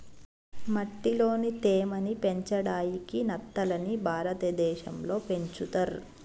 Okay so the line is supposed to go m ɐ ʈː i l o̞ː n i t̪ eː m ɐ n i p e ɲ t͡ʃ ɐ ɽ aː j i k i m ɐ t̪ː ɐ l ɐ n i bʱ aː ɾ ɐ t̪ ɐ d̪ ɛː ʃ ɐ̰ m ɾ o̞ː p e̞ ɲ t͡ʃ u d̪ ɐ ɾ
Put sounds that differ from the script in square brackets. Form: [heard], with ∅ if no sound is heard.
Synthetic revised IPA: m ɐ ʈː i l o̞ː n i t̪ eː m ɐ n i p e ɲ t͡ʃ ɐ ɽ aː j i k i [n] ɐ t̪ː ɐ l ɐ n i bʱ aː ɾ ɐ t̪ ɐ d̪ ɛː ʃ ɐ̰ m [l] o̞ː p e̞ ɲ t͡ʃ u [t̪] ɐ ɾ